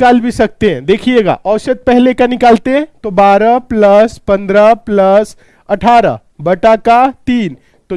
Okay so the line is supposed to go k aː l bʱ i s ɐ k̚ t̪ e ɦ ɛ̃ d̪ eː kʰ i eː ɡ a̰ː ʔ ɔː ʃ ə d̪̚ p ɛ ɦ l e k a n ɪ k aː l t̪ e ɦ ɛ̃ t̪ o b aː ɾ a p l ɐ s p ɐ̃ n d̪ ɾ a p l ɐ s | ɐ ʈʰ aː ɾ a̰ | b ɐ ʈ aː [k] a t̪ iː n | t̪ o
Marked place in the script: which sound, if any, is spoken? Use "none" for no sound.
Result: k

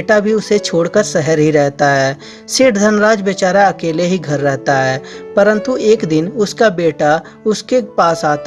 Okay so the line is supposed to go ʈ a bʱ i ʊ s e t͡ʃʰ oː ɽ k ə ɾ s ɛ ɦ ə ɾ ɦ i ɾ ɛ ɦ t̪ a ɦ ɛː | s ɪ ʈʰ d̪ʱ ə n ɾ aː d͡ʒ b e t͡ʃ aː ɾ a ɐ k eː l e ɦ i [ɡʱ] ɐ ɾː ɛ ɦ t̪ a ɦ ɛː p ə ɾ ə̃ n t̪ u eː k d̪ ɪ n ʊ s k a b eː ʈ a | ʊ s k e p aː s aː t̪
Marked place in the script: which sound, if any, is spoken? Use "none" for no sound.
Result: ɡʱ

